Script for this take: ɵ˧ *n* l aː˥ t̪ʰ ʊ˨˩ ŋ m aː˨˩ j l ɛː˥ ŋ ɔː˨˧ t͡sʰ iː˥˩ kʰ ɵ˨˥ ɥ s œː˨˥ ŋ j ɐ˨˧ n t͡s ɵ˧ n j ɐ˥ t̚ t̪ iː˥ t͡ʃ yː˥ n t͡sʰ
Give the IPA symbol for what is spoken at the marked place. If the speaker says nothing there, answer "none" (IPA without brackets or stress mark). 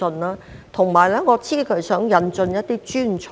n